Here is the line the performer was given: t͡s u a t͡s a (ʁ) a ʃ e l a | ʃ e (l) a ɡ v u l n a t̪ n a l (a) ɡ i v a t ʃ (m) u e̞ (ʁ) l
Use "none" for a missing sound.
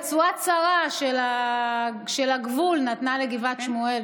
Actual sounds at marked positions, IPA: ʁ, l, e, m, none

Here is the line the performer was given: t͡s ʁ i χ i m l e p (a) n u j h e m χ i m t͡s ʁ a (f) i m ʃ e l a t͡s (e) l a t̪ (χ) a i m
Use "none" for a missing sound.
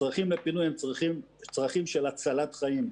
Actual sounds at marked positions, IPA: i, χ, a, χ

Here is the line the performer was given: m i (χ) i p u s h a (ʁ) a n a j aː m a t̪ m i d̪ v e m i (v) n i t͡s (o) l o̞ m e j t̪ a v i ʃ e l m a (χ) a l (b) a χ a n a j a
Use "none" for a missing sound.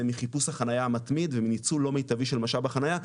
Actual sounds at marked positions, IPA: χ, χ, none, u, ʃ, b

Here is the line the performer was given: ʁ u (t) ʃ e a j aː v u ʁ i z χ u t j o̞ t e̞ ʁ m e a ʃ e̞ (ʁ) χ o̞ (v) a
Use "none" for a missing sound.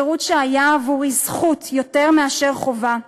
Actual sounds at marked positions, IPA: t, ʁ, v

